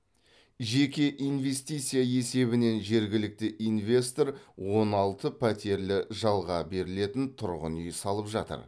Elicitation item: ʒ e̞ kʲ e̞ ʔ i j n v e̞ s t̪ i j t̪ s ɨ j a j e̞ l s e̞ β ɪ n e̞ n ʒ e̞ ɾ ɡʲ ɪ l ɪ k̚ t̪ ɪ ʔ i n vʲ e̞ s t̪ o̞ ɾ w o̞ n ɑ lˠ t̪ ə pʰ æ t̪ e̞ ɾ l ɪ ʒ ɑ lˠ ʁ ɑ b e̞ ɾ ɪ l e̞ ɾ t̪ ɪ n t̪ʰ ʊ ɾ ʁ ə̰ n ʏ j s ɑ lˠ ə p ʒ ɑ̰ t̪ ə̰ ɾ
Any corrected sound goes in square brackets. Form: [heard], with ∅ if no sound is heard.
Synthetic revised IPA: ʒ e̞ kʲ e̞ ʔ i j n v e̞ s t̪ i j t̪ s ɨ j a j e̞ [∅] s e̞ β ɪ n e̞ n ʒ e̞ ɾ ɡʲ ɪ l ɪ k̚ t̪ ɪ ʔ i n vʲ e̞ s t̪ o̞ ɾ w o̞ n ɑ lˠ t̪ ə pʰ æ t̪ e̞ ɾ l ɪ ʒ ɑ lˠ ʁ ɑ b e̞ ɾ ɪ l e̞ [∅] t̪ ɪ n t̪ʰ ʊ ɾ ʁ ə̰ n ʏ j s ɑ lˠ ə p ʒ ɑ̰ t̪ ə̰ ɾ